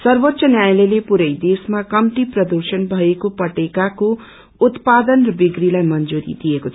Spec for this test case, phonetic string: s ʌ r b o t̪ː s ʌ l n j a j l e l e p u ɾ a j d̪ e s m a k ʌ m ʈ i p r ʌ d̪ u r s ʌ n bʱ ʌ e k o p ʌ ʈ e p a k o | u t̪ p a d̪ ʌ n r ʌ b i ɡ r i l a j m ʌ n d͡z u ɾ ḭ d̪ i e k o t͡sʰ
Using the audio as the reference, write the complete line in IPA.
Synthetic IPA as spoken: s ʌ r b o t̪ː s ʌ n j a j l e l e p u ɾ ʌ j d̪ e s m a k ʌ m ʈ i p r ʌ d̪ u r s ʌ n bʱ ʌ e k o p ʌ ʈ e k a k o | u t̪ p a d̪ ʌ n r ʌ b i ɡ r i l a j m ʌ n d͡z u ɾ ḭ d̪ i e k o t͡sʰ

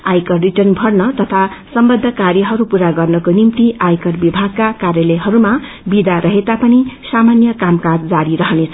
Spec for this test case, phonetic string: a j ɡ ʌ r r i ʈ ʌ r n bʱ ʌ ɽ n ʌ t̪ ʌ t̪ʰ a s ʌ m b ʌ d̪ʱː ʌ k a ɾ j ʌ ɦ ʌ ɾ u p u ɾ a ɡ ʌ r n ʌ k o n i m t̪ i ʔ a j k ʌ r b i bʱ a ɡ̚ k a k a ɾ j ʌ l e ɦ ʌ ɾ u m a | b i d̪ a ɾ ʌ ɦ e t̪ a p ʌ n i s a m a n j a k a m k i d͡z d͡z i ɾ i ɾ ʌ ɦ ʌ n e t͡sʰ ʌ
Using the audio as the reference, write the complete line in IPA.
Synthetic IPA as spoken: a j k ʌ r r i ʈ ʌ r n bʱ ʌ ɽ n ʌ t̪ ʌ t̪ʰ a s ʌ m b ʌ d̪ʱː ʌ k a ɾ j ʌ ɦ ʌ ɾ u p u ɾ a ɡ ʌ r n ʌ k o n i m t̪ i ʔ a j k ʌ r b i bʱ a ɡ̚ k a k a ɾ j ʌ l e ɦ ʌ ɾ u m a | b i d̪ a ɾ ʌ ɦ e t̪ a p ʌ n i s a m a n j ʌ k a m k a d͡z d͡z a ɾ i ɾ ʌ ɦ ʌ n e t͡sʰ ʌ

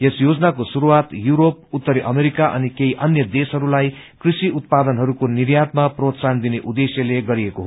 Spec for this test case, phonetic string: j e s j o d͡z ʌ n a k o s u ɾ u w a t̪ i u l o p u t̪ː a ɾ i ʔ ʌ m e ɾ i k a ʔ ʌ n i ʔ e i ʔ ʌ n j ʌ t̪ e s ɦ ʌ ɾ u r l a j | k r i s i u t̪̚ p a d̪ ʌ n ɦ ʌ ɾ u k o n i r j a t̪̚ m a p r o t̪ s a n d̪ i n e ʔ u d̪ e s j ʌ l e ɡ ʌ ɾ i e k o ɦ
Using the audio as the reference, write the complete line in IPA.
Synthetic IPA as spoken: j e s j o d͡z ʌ n a k o s u ɾ u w a t̪ j u ɾ o p u t̪ː ʌ ɾ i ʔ ʌ m e ɾ i k a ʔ ʌ n i k e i ʔ ʌ n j ʌ d̪ e s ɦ ʌ ɾ u l a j | k r i s i u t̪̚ p a d̪ ʌ n ɦ ʌ ɾ u k o n i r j a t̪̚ m a p r o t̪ s a n d̪ i n e ʔ u d̪ e s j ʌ l e ɡ ʌ ɾ i e k o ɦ

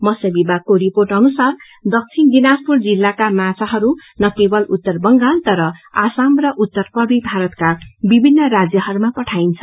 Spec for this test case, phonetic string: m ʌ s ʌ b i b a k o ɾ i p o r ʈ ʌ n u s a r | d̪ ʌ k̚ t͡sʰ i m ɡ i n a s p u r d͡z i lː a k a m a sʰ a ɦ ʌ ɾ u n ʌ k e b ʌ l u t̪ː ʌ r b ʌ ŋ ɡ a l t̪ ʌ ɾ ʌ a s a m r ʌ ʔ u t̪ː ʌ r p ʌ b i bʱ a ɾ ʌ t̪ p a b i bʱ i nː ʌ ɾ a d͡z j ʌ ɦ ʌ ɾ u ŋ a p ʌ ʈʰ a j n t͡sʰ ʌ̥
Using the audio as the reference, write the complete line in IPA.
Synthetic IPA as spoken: m ʌ s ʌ b i b a k o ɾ i p o r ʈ ʌ n u s a r | d̪ ʌ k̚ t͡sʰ i n ɡ i n a s p u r d͡z i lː a k a m a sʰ a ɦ ʌ ɾ u n ʌ k e b ʌ l u t̪ː ʌ r b ʌ ŋ ɡ a l t̪ ʌ ɾ ʌ a s a m r ʌ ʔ u t̪ː ʌ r p ʌ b i bʱ a ɾ ʌ t̪ k a b i bʱ i nː ʌ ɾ a d͡z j ʌ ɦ ʌ ɾ u m a p ʌ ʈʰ a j n t͡sʰ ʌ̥

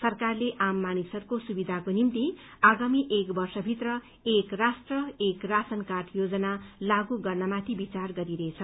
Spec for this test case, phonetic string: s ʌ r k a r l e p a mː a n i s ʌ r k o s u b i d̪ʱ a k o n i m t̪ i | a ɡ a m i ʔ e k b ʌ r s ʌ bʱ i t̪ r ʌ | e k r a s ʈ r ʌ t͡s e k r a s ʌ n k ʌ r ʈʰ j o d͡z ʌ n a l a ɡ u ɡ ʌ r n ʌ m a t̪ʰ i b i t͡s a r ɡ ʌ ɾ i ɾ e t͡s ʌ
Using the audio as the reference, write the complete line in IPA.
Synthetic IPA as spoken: s ʌ r k a r l e ʔ a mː a n i s ʌ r k o s u b i d̪ʱ a k o n i m t̪ i | a ɡ a m i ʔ e k b ʌ r s ʌ bʱ i t̪ r ʌ | e k r a s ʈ r ʌ e k r a s ʌ n k a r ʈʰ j o d͡z ʌ n a l a ɡ u ɡ ʌ r n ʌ m a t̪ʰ i b i t͡s a r ɡ ʌ ɾ i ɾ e t͡sʰ ʌ

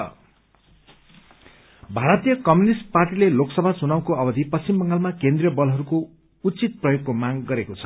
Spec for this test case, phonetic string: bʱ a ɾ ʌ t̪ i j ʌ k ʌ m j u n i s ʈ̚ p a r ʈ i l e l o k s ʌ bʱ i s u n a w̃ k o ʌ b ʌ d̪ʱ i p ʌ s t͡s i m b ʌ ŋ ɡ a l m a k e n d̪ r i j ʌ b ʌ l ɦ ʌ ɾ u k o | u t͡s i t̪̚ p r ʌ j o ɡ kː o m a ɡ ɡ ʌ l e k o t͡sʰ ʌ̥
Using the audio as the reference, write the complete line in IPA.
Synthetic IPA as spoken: bʱ a ɾ ʌ t̪ i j ʌ k ʌ m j u n i s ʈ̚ p a r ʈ i l e l o k s ʌ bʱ a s u n a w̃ k o ʌ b ʌ d̪ʱ i p ʌ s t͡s i m b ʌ ŋ ɡ a l m a k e n d̪ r i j ʌ b ʌ l ɦ ʌ ɾ u k o | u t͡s i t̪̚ p r ʌ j o ɡ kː o m a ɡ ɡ ʌ ɾ e k o t͡sʰ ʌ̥

